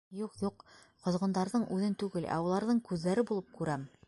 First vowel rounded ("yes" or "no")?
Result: yes